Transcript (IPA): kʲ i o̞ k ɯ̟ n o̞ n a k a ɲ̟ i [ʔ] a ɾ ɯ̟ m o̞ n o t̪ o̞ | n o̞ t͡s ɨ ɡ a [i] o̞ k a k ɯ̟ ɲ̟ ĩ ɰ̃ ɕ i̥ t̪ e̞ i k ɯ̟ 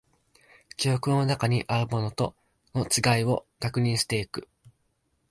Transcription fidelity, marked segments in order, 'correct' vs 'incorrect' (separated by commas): correct, correct